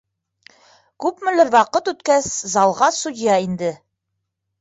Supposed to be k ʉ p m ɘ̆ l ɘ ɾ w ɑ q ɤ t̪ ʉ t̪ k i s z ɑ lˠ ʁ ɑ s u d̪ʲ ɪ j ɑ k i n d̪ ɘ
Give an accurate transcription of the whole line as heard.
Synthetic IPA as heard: k ʉ p m ɘ̆ l ɘ ɾ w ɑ q ɤ t̪ ʉ t̪ k æ s z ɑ lˠ ʁ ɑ s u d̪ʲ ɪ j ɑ i n d̪ ɘ